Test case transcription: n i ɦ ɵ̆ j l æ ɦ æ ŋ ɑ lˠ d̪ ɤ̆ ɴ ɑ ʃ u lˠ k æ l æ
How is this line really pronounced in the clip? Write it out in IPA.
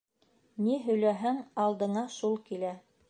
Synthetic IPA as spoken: n i ɦ ɵ̆ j l æ ɦ æ ŋ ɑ lˠ d̪ ɤ̆ ɴ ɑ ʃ u lˠ k i l æ